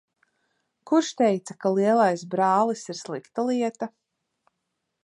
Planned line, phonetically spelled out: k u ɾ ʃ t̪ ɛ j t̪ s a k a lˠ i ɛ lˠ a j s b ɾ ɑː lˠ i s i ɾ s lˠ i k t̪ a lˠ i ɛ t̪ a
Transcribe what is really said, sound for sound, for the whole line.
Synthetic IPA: k u ɾ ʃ t̪ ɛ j t̪ s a k a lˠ i ɛ lˠ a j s b ɾ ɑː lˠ i s i ɾ s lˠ i k t̪ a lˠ i ɛ t̪ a